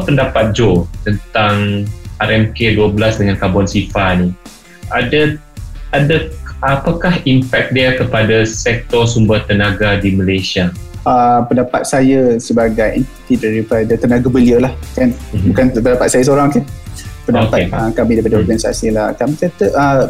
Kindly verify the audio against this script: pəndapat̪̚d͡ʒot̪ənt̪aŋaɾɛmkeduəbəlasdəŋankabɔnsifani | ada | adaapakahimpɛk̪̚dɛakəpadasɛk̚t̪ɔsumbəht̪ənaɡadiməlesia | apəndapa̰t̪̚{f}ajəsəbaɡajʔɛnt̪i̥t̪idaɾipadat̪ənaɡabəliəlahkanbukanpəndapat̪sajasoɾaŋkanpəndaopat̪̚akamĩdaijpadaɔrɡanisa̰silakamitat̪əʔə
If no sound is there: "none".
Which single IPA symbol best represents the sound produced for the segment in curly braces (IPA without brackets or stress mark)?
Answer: s